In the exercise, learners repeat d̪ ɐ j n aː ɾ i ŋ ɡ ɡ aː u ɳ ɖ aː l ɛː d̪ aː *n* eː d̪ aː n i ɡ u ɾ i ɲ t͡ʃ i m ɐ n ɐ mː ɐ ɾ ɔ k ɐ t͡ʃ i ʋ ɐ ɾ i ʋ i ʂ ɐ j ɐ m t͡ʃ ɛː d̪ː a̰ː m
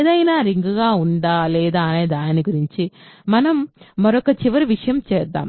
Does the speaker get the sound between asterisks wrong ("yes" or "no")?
no